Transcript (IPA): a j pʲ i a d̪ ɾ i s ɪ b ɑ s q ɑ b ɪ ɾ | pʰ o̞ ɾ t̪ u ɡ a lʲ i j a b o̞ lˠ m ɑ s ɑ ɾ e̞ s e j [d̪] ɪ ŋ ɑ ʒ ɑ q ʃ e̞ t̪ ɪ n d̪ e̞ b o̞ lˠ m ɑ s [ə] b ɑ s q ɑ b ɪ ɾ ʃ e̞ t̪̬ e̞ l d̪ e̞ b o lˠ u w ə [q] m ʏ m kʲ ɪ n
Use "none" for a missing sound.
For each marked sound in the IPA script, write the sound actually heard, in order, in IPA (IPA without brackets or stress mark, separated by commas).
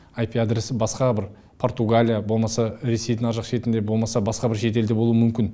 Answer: d̪, ɑ, none